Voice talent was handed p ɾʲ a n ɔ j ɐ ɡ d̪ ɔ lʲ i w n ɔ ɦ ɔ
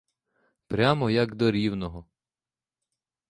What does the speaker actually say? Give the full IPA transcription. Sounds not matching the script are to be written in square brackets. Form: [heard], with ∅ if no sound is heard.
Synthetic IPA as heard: p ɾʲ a [m] ɔ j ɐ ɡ d̪ ɔ [ɾʲ] i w n ɔ ɦ ɔ